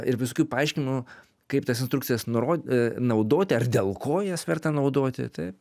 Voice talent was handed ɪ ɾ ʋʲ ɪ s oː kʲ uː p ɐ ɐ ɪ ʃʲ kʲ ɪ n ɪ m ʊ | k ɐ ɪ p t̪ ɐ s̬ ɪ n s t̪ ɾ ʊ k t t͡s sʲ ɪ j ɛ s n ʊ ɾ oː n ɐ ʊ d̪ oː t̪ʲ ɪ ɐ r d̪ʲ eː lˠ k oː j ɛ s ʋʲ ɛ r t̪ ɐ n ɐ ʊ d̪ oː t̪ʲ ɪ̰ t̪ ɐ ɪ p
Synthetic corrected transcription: ɪ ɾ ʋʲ ɪ s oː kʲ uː p ɐ ɐ ɪ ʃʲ kʲ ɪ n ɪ m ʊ | k ɐ ɪ p t̪ ɐ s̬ ɪ n s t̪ ɾ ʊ k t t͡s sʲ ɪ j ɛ s n ʊ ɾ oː n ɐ ʊ d̪ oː t̪ʲ ɪ ɐ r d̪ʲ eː lˠ k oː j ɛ s ʋʲ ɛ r t̪ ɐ n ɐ ʊ d̪ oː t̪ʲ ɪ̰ t̪ ɐ ɪ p